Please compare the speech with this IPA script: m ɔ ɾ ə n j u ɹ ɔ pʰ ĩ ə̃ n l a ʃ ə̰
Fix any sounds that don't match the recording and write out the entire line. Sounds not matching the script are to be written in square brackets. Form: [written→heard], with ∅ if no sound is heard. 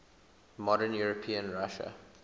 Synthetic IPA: m ɔ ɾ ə n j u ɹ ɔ pʰ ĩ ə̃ n [l→ɹ] a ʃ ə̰